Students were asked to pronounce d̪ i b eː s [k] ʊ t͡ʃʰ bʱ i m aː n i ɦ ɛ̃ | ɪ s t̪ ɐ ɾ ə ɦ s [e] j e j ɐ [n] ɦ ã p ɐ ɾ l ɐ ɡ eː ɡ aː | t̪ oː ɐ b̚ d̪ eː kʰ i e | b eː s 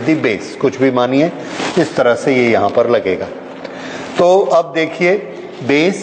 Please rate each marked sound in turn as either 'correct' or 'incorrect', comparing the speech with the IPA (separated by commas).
correct, correct, incorrect